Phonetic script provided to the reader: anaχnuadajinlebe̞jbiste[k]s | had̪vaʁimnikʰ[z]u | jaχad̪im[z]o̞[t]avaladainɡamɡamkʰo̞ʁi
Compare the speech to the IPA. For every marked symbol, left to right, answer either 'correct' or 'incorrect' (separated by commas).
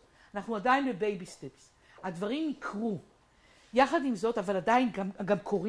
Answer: incorrect, incorrect, correct, correct